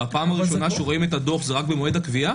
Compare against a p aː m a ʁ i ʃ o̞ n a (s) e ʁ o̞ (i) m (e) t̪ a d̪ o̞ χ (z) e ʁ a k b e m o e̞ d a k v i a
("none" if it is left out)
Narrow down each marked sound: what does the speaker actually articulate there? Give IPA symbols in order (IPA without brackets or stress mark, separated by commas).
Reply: ʃ, i, e, z